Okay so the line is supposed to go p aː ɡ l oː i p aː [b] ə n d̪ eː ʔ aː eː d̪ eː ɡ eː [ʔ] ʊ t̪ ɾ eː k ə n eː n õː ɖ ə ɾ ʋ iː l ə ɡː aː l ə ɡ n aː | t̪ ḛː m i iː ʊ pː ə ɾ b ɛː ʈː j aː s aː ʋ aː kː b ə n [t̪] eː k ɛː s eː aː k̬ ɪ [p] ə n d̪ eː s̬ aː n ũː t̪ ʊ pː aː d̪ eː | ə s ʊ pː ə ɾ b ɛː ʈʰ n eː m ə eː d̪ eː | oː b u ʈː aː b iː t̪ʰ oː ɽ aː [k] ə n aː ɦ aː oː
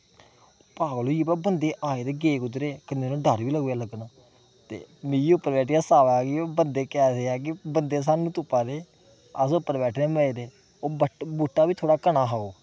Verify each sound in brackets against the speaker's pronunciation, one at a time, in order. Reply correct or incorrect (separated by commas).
correct, incorrect, incorrect, incorrect, correct